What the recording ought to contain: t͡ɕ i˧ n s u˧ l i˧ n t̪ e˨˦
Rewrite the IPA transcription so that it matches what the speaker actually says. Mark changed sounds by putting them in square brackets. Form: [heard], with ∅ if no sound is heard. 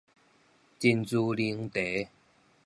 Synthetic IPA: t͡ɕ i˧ n [t͡s] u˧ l i˧ [ŋ] t̪ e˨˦